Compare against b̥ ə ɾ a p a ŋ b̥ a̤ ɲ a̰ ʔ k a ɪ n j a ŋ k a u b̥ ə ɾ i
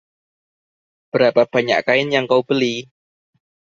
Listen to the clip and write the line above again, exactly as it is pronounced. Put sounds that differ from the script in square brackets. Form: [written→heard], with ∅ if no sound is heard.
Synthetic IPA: b̥ ə ɾ a p a [ŋ→∅] b̥ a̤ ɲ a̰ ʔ k a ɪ n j a ŋ k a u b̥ ə [ɾ→l] i